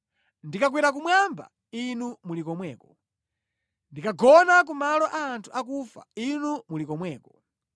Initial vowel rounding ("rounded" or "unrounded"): unrounded